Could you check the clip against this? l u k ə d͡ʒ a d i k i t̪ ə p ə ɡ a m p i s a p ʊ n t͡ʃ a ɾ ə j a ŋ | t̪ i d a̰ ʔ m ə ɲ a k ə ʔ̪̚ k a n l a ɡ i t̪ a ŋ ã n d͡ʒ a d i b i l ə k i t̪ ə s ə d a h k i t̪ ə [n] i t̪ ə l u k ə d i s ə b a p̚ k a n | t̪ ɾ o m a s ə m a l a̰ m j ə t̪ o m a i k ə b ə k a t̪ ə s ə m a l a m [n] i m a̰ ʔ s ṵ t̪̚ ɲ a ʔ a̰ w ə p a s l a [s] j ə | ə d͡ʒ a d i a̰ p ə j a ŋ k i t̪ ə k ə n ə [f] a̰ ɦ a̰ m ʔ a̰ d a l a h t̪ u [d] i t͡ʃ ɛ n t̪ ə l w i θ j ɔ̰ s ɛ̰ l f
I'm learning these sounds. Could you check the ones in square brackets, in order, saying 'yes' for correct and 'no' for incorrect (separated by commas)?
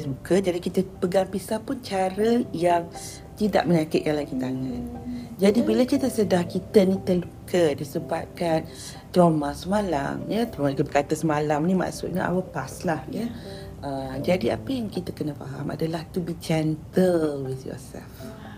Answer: yes, yes, no, yes, no